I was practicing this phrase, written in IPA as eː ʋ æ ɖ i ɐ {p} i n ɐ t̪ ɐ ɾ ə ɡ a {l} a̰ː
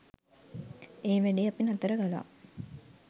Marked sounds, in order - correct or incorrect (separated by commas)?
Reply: correct, correct